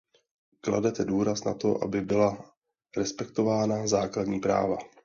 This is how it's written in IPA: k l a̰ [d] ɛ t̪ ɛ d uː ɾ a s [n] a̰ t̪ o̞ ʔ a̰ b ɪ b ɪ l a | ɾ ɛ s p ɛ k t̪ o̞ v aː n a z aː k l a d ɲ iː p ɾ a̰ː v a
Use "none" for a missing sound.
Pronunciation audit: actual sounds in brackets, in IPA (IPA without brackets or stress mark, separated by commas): d, n